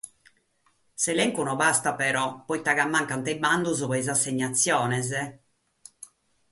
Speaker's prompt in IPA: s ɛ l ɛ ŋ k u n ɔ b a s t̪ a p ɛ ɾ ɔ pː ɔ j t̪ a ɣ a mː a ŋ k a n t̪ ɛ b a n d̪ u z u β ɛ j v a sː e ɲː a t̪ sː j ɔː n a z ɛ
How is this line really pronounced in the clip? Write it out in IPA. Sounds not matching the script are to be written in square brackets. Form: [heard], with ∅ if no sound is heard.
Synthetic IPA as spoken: s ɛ l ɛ ŋ k u n ɔ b a s t̪ a p ɛ ɾ ɔ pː ɔ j t̪ a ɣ a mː a ŋ k a n t̪ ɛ b a n d̪ u z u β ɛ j [z] a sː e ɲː a t̪ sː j ɔː n [ɛ] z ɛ